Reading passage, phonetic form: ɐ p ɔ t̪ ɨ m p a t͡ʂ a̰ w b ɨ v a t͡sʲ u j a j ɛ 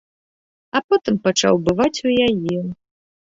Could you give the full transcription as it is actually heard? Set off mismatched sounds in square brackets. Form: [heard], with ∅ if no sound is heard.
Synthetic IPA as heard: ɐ p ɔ t̪ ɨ m p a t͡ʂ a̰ w b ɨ v a t͡sʲ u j a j ɛ